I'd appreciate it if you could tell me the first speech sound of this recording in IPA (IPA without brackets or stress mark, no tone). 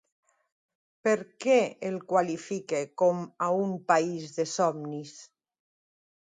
p